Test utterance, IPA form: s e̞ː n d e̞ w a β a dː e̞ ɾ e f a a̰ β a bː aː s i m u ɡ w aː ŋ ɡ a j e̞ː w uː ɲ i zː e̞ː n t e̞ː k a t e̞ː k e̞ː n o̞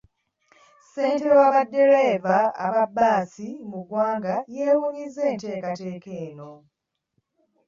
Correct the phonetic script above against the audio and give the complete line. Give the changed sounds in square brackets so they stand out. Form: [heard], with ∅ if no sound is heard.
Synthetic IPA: s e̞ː n [t] e̞ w a β a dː e̞ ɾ e [v] a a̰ β a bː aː s i m u ɡ w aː ŋ ɡ a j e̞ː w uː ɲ i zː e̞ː n t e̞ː k a t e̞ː k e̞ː n o̞